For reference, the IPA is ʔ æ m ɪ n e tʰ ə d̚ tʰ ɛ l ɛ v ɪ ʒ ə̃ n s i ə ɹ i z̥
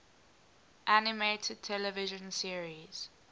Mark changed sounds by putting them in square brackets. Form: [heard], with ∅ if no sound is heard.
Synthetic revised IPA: ʔ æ [n] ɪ [m] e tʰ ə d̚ tʰ ɛ l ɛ v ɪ ʒ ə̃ n s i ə ɹ i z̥